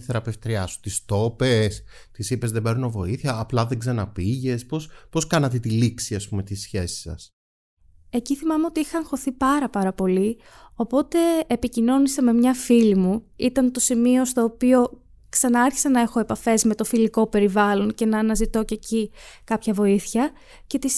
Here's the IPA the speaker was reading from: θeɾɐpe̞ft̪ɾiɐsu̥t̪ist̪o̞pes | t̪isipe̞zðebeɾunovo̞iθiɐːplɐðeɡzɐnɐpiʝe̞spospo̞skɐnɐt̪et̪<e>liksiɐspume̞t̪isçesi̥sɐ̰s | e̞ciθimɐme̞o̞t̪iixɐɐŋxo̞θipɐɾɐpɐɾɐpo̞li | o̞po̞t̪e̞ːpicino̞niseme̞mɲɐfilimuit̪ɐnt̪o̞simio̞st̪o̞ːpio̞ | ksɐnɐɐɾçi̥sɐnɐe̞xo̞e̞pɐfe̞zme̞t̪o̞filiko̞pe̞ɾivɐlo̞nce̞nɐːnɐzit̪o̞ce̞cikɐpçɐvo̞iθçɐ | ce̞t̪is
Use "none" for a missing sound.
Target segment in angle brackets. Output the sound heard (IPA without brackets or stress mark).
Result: i